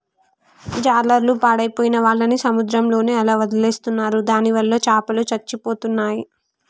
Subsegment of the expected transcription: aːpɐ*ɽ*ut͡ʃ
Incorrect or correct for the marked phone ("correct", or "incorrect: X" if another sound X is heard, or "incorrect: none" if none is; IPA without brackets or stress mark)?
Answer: incorrect: l